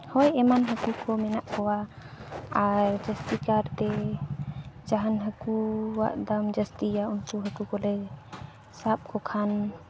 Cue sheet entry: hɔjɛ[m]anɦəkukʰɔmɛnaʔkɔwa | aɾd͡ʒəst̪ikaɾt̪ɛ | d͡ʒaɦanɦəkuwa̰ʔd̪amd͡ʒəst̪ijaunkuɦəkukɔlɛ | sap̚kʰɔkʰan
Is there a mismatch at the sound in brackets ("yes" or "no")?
no